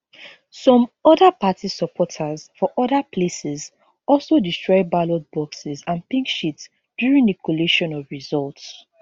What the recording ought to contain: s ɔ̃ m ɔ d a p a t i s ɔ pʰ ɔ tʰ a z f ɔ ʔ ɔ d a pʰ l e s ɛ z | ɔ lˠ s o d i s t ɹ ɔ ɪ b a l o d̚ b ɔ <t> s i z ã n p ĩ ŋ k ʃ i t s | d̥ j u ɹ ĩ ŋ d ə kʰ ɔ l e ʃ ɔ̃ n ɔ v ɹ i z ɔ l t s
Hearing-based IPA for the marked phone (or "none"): k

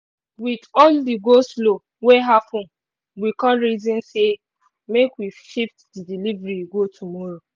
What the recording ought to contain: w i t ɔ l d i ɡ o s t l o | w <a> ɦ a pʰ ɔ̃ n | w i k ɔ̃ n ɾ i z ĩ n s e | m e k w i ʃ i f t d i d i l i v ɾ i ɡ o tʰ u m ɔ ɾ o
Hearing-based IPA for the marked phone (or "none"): e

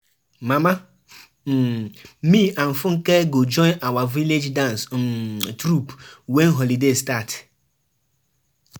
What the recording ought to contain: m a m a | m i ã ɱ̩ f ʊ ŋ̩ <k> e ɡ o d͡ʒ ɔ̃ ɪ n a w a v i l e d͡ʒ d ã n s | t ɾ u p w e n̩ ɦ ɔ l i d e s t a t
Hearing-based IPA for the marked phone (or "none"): k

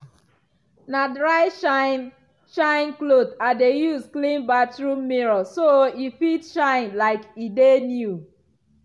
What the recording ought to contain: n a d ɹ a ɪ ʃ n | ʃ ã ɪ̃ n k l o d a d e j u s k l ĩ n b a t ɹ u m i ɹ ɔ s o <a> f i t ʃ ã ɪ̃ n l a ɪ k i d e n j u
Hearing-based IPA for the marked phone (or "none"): i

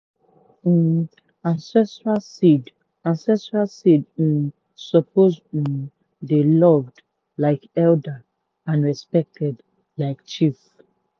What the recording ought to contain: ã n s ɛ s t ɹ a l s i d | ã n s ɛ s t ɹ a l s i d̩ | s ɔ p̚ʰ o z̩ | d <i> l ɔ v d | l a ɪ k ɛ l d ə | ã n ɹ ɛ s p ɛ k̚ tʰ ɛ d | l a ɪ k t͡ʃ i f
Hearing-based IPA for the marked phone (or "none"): e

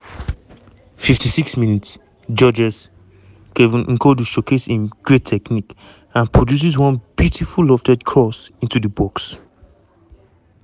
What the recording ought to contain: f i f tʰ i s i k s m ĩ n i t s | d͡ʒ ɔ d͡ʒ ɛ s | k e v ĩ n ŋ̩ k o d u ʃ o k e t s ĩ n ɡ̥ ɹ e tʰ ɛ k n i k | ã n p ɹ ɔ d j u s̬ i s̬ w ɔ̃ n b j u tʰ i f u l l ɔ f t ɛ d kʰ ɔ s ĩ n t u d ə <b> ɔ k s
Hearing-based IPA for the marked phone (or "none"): b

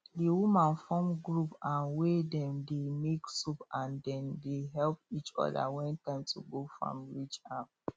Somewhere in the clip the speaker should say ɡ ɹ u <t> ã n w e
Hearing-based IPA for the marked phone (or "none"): p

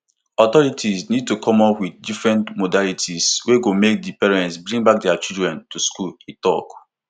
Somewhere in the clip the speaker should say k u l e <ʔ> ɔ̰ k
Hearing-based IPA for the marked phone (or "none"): t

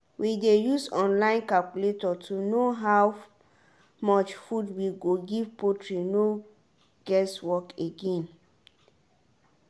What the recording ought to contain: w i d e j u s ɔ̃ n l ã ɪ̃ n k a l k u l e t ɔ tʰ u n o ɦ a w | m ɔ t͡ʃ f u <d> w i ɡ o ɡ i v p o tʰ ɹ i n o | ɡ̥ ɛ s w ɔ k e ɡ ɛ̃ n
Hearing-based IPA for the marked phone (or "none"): d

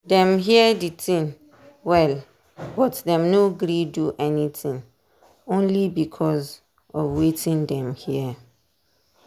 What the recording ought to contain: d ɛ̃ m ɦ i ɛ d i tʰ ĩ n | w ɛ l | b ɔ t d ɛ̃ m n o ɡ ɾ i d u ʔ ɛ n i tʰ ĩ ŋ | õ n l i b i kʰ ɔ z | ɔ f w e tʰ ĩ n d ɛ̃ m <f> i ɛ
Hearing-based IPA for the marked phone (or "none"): h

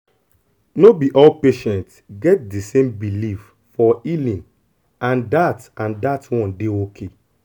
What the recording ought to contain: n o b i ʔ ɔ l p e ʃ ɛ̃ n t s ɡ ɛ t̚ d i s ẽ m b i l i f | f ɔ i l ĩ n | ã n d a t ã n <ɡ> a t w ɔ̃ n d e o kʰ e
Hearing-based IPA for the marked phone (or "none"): d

